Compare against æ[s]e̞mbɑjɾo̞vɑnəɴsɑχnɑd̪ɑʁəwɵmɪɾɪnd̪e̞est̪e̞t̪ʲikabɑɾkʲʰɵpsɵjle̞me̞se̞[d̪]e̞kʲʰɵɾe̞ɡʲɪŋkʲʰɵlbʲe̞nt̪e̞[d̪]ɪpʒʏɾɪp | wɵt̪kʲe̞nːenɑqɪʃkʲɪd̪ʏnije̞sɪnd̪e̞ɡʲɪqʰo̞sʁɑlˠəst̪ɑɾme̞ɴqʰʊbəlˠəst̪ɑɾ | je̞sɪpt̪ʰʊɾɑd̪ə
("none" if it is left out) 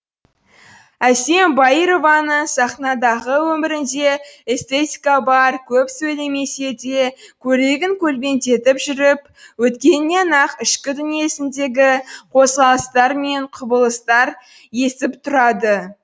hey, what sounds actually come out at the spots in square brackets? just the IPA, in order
s, d̪, t̪

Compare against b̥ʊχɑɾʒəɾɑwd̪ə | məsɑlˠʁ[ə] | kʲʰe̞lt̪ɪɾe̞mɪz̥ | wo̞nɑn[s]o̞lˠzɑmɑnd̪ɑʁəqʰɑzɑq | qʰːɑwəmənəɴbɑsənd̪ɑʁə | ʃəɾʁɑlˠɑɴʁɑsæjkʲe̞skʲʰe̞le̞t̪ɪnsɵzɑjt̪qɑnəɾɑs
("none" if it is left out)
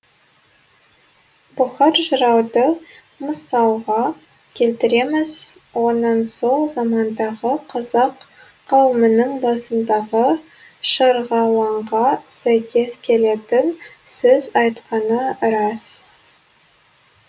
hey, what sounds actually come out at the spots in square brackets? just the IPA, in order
ɑ, s

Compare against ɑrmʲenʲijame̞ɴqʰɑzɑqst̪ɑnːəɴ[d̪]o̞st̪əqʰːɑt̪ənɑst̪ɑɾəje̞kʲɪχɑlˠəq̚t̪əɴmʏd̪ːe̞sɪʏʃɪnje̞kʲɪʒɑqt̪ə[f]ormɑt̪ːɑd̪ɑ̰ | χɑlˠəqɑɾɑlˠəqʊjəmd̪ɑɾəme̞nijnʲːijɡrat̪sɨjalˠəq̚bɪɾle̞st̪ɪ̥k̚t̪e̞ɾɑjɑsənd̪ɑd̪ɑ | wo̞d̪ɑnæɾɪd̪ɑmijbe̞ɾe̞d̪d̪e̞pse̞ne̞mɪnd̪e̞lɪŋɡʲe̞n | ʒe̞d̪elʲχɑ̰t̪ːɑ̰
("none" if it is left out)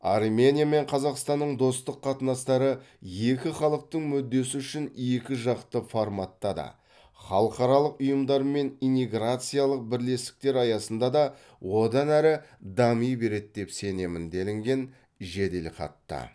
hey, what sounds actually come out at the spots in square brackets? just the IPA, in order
d̪, f

